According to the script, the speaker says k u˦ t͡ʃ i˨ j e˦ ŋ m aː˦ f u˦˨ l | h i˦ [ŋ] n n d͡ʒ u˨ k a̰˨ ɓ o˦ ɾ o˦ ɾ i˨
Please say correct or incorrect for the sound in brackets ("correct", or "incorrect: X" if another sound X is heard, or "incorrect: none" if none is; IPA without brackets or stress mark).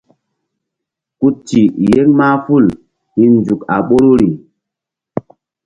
incorrect: none